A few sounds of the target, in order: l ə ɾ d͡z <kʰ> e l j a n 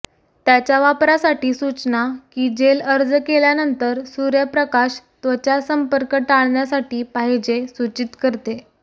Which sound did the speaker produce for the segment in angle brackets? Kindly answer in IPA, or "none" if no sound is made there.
k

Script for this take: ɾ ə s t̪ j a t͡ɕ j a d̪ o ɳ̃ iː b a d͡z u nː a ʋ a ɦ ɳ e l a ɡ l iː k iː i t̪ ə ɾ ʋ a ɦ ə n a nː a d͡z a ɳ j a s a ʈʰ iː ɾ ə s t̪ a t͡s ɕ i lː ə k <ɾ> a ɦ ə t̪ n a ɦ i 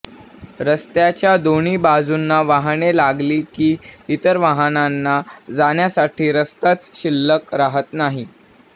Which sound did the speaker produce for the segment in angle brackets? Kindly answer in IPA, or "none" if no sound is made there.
ɾ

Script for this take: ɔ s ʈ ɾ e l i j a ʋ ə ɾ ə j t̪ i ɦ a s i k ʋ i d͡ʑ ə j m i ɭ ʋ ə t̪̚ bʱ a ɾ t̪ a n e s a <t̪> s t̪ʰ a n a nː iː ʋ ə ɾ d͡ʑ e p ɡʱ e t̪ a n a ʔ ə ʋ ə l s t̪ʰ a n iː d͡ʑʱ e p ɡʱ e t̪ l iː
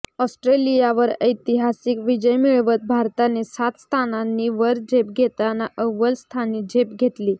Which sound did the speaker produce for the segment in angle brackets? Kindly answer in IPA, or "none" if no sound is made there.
t̪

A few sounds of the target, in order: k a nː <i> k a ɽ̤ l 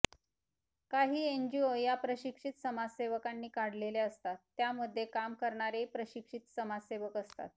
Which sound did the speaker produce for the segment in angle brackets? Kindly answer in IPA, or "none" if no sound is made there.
iː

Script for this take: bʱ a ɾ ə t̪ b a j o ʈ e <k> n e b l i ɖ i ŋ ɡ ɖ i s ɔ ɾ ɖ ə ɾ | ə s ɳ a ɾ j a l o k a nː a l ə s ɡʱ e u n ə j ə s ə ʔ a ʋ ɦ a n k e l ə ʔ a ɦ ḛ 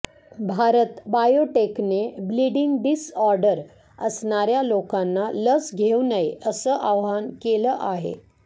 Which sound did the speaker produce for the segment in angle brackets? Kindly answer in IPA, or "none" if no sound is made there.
k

